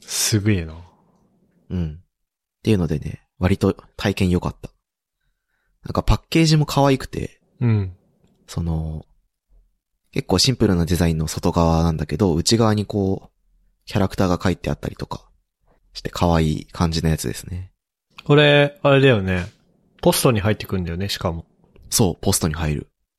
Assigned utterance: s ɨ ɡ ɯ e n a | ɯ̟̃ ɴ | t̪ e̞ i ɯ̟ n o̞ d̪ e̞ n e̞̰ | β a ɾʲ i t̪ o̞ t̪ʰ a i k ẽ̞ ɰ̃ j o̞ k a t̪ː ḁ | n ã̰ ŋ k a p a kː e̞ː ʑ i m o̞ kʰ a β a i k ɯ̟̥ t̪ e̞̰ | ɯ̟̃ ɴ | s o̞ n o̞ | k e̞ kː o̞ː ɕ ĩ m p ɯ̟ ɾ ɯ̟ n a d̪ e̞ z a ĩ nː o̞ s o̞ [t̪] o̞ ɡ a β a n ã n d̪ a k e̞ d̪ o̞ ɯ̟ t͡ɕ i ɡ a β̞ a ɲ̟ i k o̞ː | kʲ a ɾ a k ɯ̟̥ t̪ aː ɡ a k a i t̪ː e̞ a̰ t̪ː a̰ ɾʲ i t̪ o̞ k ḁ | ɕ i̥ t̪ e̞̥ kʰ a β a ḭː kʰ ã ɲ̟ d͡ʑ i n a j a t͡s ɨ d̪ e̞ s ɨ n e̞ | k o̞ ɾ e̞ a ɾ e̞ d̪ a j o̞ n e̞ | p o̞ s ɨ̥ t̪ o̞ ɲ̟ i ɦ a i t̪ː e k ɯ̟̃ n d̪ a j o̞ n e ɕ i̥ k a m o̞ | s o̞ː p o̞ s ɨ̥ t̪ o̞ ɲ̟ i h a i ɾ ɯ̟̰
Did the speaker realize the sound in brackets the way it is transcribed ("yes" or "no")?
yes